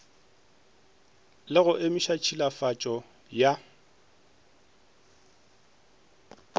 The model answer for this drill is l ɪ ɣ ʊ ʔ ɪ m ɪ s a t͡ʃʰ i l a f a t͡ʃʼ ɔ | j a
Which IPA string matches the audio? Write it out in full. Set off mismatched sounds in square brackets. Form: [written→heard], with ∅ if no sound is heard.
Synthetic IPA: l ɪ ɣ ʊ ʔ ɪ m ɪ [s→ʃ] a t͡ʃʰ i l a f a t͡ʃʼ ɔ | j a